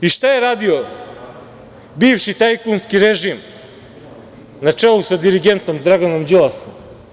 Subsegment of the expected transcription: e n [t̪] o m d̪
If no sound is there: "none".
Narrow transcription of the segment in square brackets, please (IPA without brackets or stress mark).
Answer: t̪